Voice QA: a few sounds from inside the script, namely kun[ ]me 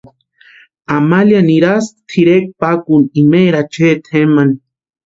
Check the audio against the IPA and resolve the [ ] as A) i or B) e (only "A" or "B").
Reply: A